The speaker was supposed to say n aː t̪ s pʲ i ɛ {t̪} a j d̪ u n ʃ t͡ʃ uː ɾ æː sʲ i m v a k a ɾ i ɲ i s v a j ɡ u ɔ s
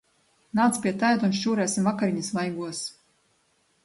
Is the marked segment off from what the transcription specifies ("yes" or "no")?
no